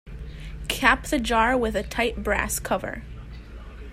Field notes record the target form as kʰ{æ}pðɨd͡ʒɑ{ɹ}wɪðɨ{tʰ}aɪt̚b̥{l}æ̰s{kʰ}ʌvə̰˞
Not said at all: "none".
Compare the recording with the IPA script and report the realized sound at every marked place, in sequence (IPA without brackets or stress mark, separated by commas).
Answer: æ, ɹ, tʰ, ɹ, kʰ